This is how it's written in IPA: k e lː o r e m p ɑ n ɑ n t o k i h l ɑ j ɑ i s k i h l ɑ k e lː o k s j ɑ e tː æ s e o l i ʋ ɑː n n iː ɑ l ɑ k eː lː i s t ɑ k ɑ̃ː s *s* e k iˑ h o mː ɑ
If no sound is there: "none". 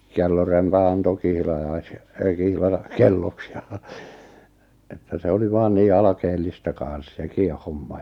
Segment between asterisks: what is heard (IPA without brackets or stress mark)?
s